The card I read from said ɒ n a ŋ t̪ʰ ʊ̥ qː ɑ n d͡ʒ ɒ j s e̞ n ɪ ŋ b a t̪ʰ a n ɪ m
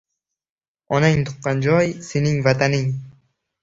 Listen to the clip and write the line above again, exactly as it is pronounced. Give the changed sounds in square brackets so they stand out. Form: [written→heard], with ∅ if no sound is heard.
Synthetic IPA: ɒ n a ŋ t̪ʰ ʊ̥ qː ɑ n d͡ʒ ɒ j s e̞ n ɪ ŋ [b→v] a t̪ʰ a n ɪ [m→ŋ]